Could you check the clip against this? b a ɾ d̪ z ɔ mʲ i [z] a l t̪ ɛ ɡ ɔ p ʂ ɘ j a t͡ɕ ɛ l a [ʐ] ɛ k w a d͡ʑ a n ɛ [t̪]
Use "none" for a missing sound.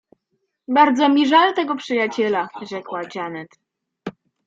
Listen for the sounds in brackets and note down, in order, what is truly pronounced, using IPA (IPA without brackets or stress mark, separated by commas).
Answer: ʐ, ʐ, t̪